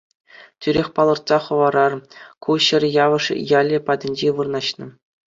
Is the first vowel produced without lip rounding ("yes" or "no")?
no